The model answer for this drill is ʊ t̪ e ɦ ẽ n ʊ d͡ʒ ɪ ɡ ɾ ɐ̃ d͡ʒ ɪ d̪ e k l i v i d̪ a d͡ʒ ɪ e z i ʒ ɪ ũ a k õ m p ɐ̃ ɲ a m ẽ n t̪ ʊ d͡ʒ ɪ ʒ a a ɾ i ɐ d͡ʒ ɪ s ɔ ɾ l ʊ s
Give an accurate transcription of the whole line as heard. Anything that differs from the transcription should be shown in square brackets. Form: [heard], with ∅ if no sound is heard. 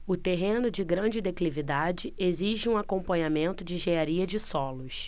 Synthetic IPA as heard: ʊ t̪ e ɦ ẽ n ʊ d͡ʒ ɪ ɡ ɾ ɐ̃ d͡ʒ ɪ d̪ e k l i v i d̪ a d͡ʒ ɪ e z i ʒ ɪ ũ a k õ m p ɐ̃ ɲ a m ẽ n t̪ ʊ d͡ʒ ɪ ʒ [e] a ɾ i ɐ d͡ʒ ɪ s ɔ [∅] l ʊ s

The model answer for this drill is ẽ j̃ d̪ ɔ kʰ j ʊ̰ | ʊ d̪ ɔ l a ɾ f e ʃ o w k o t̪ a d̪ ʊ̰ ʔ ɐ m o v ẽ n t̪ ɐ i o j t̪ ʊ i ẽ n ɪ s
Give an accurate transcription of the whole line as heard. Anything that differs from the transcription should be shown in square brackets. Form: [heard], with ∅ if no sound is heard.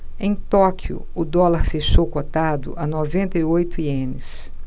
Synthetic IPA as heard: ẽ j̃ [t̪] ɔ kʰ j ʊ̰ | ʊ d̪ ɔ l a ɾ f e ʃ o w k o t̪ a d̪ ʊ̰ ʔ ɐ [n] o v ẽ n t̪ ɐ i o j t̪ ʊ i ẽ n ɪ s

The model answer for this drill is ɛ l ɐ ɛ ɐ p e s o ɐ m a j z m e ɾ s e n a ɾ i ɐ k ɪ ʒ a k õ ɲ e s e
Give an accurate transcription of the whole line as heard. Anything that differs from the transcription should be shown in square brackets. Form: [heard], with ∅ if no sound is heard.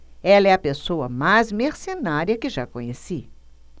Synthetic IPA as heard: ɛ l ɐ ɛ ɐ p e s o ɐ m a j z m e ɾ s e n a ɾ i ɐ k ɪ ʒ a k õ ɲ e s [i]

